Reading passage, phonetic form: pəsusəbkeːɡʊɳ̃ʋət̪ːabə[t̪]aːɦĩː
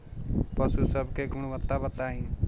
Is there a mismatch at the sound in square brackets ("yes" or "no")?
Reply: no